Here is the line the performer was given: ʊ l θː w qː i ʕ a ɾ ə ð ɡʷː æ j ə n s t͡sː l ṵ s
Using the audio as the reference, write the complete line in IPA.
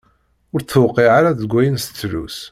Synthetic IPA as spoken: ʊ ɾ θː w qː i ʕ a ɾ a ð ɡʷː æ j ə n s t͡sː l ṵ s